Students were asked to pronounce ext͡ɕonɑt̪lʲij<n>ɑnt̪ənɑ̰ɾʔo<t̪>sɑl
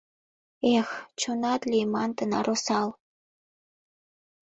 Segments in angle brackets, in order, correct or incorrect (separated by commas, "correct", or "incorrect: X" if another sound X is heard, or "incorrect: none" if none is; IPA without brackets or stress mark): incorrect: m, incorrect: none